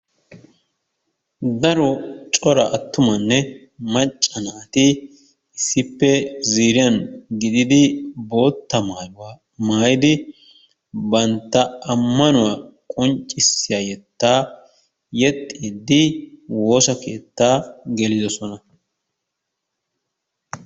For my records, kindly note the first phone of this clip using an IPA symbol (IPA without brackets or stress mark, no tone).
d̪